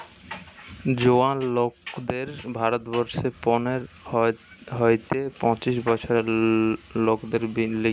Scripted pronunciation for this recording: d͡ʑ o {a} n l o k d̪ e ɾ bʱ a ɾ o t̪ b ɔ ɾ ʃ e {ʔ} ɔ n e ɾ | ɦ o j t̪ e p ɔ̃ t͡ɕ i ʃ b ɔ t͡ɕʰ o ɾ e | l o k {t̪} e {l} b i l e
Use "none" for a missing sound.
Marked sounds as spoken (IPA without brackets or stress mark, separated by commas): a, p, d̪, ɾ